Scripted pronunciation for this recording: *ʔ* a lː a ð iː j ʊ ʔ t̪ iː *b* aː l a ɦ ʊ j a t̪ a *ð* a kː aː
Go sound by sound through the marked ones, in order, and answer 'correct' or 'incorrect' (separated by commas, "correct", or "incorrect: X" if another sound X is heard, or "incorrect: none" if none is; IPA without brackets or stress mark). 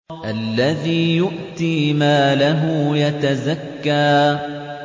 correct, incorrect: m, incorrect: z